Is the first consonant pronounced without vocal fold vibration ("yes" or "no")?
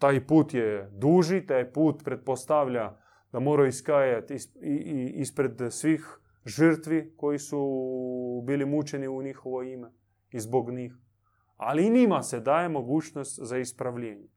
yes